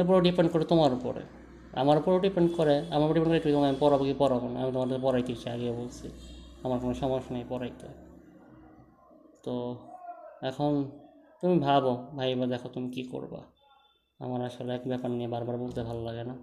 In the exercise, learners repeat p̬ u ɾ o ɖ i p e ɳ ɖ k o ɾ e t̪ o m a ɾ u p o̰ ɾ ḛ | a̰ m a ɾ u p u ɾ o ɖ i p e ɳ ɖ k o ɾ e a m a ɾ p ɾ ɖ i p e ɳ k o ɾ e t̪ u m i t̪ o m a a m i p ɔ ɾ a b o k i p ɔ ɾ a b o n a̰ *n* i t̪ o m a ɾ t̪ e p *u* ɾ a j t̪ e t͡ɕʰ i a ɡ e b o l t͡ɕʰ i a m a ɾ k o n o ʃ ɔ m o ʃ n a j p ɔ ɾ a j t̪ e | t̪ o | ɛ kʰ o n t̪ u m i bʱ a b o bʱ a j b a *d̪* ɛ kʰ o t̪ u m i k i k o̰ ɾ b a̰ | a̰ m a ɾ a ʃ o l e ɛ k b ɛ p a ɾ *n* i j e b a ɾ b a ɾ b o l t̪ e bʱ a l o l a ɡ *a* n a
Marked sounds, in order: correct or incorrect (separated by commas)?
incorrect, incorrect, correct, correct, incorrect